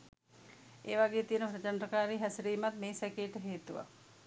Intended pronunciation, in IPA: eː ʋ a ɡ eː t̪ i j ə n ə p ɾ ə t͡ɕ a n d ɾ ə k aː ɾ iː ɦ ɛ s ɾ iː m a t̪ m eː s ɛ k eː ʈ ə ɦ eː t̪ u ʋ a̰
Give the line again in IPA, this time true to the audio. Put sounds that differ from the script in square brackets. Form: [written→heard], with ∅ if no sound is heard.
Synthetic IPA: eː ʋ a ɡ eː t̪ i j ə n ə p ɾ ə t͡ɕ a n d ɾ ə k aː ɾ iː ɦ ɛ s ɾ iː m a t̪ m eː s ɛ k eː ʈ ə ɦ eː t̪ u ʋ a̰